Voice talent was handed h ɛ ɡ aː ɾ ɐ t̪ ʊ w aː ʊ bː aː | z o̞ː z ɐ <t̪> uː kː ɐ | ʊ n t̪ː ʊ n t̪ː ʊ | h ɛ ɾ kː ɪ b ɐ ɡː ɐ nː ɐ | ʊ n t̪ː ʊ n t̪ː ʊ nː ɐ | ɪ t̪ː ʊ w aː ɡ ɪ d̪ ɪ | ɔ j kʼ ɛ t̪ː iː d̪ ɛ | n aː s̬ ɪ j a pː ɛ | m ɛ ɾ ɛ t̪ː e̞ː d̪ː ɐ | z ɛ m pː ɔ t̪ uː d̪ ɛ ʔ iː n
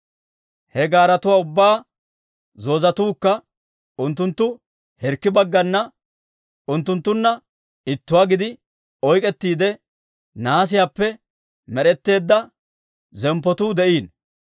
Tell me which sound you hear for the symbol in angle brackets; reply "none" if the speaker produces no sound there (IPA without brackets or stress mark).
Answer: t̪